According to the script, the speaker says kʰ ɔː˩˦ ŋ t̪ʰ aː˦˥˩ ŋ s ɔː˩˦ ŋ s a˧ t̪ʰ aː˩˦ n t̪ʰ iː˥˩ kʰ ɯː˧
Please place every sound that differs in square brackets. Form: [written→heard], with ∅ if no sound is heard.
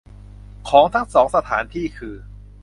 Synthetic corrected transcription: kʰ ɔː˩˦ ŋ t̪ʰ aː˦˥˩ ŋ s ɔː˩˦ ŋ s a˧ t̪ʰ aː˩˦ n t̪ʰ iː˥˩ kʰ ɯː˧